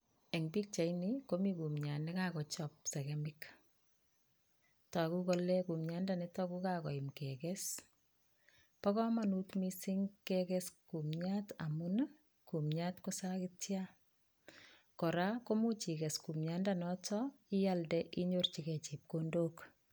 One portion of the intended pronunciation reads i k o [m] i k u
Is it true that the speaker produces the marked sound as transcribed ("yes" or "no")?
yes